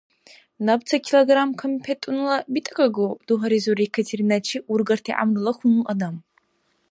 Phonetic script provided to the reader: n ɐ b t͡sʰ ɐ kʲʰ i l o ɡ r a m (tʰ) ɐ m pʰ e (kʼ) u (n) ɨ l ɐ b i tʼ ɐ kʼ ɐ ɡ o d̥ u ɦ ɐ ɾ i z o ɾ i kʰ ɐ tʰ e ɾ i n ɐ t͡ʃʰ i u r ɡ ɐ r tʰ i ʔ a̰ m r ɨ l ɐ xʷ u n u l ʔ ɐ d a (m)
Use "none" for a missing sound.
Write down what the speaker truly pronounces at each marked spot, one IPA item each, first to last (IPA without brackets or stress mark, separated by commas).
kʰ, tʼ, n, m